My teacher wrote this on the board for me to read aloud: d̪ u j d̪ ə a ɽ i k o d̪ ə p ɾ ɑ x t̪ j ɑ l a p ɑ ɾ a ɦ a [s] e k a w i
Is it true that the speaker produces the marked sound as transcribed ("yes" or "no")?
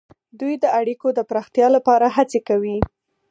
no